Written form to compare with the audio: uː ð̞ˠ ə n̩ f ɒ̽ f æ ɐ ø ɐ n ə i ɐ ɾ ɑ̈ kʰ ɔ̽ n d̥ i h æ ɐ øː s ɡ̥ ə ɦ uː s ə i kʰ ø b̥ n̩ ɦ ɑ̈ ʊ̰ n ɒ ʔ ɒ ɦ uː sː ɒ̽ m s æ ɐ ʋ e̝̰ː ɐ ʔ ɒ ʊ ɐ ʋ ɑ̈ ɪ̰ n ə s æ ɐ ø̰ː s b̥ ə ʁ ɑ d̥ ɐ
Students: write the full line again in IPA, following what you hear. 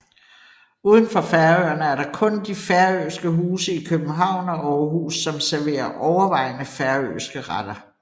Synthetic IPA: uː ð̞ˠ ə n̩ f ɒ̽ f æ ɐ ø ɐ n ə æ ɐ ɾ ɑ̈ kʰ ɔ̽ n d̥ i f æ ɐ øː s ɡ̥ ə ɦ uː s ə i kʰ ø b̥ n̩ ɦ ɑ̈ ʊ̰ n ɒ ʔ ɒ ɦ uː sː ɒ̽ m s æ ɐ ʋ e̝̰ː ɐ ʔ ɒ ʊ ɐ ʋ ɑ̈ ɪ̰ n ə f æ ɐ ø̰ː s ɡ̥ ə ʁ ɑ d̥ ɐ